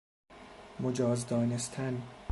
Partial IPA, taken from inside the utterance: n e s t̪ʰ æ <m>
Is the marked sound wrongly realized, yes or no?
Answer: yes